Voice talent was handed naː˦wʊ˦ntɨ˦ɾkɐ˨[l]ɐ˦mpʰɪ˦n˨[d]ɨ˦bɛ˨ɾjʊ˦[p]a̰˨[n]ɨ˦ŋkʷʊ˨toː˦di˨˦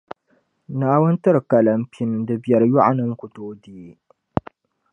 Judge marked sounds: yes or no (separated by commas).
yes, yes, no, yes